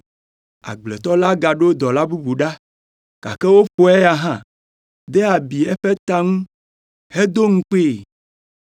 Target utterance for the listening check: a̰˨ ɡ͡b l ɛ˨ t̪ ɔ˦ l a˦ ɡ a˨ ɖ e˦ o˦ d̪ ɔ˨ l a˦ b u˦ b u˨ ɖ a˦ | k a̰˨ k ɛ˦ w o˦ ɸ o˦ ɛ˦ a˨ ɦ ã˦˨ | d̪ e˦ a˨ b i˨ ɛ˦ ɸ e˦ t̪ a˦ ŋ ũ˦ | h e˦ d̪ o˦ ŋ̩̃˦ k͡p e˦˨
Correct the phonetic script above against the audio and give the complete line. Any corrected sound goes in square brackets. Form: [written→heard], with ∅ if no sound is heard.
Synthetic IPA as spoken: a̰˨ ɡ͡b l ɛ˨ t̪ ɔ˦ l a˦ ɡ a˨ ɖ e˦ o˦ d̪ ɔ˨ l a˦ b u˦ b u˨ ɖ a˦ | k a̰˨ k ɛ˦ w o˦ ɸ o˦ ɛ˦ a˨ ɦ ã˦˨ | d̪ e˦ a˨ b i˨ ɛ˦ ɸ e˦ t̪ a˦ ŋ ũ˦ | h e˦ d̪ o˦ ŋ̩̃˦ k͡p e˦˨